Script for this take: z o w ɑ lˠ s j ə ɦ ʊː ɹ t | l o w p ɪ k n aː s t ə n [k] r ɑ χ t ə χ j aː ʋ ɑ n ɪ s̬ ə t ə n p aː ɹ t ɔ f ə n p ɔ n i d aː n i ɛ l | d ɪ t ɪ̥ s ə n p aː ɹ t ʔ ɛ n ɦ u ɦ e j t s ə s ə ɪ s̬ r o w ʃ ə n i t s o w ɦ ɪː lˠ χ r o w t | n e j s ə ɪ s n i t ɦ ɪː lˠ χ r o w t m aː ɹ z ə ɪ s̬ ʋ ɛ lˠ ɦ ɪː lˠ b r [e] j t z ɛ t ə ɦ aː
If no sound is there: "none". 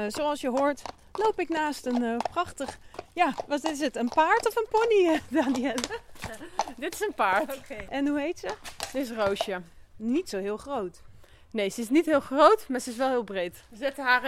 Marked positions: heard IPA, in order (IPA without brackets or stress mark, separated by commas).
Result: p, e